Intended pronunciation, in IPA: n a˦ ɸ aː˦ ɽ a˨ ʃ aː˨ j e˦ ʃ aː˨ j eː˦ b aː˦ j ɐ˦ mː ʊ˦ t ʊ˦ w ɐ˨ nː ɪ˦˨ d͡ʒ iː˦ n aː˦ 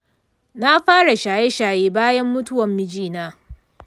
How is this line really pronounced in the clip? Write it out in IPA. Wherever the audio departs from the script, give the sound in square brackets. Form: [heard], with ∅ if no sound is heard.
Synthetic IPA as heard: n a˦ ɸ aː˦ ɽ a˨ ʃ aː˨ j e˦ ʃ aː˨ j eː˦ b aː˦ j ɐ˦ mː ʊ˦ t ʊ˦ w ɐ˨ [mː] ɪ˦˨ d͡ʒ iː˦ n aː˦